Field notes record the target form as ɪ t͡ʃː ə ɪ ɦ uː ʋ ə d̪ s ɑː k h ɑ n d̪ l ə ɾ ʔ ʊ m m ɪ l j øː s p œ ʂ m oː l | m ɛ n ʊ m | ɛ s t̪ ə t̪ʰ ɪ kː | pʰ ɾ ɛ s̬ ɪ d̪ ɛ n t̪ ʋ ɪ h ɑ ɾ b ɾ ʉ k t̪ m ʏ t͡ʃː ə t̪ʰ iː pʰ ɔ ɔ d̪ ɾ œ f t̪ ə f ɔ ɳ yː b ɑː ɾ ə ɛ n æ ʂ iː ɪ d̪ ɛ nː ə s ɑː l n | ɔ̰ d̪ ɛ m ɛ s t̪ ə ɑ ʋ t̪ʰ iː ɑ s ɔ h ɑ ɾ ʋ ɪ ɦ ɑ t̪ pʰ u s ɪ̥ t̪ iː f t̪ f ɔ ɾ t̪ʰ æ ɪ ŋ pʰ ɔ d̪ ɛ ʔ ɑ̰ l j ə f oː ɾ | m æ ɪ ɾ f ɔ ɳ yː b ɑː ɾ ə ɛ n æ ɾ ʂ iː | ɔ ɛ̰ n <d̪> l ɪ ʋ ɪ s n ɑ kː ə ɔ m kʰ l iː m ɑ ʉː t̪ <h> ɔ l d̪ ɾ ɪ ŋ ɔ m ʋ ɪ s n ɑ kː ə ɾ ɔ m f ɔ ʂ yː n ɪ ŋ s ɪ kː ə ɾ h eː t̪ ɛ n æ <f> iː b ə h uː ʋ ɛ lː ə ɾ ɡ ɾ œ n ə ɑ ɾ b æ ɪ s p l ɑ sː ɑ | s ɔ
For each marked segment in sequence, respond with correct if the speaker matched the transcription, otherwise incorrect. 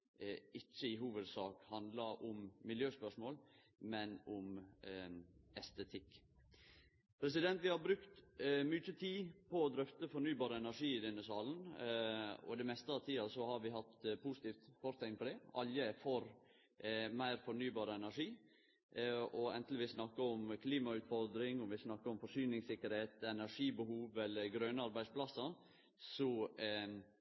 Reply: incorrect, incorrect, incorrect

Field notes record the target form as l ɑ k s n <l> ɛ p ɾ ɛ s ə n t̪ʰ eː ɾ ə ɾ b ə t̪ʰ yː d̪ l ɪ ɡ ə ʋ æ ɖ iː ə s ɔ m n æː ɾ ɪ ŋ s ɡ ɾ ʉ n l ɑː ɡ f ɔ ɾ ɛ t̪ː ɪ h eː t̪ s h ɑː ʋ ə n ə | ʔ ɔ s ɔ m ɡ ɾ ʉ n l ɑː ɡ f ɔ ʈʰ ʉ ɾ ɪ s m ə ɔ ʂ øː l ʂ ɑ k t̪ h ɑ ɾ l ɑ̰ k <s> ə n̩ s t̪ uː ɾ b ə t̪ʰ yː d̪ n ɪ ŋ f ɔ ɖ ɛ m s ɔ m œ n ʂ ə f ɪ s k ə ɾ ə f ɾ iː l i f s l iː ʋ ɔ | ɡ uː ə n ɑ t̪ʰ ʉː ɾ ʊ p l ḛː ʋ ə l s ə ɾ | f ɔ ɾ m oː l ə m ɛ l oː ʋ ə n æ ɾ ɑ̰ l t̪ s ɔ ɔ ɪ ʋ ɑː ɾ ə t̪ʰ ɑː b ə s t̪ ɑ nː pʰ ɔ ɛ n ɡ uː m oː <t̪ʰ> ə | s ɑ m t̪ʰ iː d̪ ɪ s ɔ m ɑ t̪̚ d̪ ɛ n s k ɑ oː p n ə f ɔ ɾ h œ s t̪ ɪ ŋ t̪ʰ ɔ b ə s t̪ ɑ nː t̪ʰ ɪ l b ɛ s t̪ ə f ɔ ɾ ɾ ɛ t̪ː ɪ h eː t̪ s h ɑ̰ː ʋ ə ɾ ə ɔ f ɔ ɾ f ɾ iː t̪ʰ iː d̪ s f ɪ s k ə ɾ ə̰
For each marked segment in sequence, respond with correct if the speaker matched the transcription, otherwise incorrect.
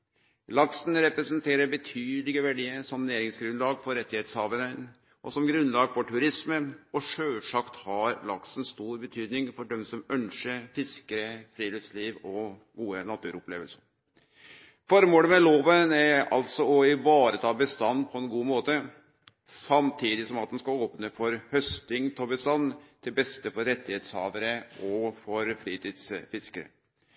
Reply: incorrect, correct, incorrect

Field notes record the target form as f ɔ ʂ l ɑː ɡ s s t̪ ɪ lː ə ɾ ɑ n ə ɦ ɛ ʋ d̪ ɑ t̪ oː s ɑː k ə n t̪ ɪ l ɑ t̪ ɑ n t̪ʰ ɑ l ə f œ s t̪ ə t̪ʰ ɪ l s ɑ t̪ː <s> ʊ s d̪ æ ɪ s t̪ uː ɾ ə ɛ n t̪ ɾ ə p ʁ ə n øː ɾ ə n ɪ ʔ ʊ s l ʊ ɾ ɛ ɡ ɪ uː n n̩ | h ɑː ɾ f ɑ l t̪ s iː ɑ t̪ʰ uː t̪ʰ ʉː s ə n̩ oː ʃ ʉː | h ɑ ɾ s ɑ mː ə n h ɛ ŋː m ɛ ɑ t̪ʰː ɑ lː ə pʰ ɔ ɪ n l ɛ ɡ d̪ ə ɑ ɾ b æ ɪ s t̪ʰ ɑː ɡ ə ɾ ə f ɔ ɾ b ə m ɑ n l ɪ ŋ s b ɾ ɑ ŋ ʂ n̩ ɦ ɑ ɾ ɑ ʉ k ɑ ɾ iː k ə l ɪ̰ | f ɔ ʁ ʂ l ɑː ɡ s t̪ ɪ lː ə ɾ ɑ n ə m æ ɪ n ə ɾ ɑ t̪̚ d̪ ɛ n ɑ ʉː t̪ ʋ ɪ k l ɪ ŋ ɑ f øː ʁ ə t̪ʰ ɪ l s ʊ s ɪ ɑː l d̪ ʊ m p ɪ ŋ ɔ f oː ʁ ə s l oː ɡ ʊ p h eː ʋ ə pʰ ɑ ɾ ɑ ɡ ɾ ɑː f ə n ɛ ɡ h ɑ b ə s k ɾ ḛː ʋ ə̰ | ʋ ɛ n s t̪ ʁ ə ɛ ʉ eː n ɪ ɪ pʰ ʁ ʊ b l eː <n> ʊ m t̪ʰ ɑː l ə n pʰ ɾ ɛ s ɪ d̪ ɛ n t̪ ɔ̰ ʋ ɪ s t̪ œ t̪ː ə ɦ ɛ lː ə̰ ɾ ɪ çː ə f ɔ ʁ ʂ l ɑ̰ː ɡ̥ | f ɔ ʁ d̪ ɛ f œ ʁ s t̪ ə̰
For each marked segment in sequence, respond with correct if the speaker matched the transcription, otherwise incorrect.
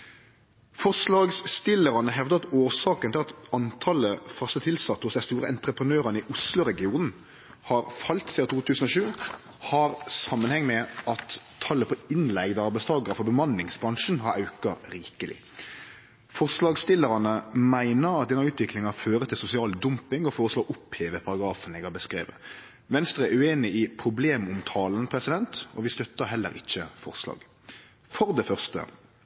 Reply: incorrect, incorrect

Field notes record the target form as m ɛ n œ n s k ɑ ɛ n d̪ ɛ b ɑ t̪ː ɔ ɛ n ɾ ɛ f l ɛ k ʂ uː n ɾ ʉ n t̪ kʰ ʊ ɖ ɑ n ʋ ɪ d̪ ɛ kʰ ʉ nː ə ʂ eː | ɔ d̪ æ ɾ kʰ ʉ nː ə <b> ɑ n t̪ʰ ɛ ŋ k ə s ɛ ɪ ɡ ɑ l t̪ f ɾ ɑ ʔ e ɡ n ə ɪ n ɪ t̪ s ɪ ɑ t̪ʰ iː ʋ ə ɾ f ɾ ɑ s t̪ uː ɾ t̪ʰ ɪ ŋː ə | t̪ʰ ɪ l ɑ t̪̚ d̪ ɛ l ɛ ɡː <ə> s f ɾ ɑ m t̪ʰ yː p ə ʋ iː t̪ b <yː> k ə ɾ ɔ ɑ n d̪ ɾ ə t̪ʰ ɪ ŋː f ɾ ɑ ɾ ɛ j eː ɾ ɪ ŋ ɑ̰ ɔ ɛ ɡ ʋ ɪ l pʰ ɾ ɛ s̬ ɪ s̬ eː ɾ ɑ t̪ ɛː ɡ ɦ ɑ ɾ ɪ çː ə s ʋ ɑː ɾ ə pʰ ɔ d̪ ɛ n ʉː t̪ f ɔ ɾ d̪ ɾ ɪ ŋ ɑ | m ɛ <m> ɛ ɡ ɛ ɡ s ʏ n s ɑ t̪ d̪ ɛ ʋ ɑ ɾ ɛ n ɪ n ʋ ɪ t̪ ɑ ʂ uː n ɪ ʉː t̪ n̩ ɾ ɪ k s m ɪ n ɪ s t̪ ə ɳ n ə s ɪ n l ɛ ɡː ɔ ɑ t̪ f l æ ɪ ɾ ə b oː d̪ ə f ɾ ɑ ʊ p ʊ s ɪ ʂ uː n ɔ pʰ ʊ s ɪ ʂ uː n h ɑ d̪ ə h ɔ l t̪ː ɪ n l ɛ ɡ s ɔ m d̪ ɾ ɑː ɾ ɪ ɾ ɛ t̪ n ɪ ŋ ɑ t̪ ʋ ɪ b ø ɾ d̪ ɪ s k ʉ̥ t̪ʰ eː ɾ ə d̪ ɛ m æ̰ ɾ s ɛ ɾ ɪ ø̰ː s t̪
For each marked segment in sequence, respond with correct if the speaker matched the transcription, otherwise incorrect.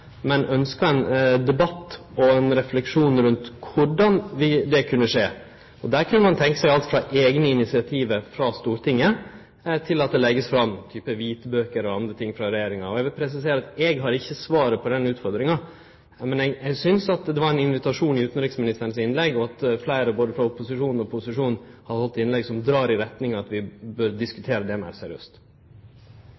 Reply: incorrect, correct, incorrect, incorrect

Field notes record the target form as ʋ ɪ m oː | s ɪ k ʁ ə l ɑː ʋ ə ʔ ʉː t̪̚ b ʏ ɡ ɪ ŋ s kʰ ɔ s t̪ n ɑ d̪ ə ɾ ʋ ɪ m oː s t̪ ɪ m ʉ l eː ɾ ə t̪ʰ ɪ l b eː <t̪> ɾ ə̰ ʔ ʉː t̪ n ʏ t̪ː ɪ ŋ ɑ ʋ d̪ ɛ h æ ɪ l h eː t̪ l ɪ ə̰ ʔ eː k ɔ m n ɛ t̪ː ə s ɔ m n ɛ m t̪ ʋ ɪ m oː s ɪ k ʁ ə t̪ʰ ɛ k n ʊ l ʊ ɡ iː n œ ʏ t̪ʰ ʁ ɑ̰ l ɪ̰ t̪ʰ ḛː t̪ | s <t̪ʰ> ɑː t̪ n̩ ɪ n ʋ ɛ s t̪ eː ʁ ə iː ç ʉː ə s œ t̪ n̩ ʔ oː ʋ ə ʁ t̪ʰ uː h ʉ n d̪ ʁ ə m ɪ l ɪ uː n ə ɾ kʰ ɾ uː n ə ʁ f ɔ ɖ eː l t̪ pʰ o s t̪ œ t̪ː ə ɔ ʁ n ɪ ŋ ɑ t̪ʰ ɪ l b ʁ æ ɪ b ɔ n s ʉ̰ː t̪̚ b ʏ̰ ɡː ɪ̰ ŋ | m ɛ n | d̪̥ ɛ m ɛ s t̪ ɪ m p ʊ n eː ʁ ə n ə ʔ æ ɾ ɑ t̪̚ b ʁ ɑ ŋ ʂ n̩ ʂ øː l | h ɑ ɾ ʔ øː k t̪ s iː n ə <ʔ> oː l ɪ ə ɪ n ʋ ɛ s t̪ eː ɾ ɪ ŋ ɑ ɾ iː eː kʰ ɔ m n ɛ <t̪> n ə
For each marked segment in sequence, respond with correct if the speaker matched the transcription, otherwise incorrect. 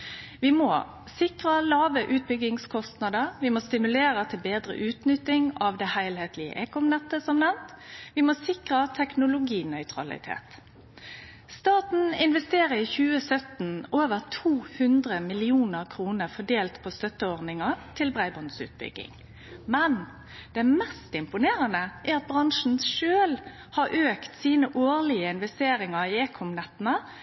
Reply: incorrect, incorrect, correct, correct

